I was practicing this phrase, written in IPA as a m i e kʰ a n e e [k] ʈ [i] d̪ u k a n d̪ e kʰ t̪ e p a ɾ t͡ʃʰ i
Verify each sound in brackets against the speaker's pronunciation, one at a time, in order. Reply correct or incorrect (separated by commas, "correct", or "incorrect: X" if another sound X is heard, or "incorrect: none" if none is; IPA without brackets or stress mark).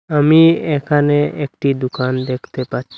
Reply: correct, correct